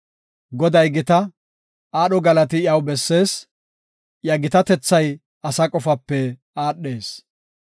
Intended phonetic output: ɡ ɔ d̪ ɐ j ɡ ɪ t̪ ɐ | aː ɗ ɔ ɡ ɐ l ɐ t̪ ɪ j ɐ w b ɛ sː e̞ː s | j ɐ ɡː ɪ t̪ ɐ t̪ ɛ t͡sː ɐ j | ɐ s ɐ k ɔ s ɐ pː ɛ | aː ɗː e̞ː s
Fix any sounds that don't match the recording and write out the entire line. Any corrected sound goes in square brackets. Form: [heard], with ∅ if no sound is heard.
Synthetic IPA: ɡ ɔ d̪ ɐ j ɡ ɪ t̪ ɐ | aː ɗ ɔ ɡ ɐ l ɐ t̪ ɪ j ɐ w b ɛ sː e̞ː s | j ɐ [ɡ] ɪ t̪ ɐ t̪ ɛ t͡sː ɐ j | ɐ s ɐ [kʼ] ɔ [f] ɐ pː ɛ | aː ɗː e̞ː s